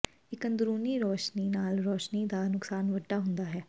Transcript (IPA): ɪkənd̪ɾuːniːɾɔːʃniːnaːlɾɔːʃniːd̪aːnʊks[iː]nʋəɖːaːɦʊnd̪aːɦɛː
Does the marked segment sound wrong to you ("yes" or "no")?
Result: yes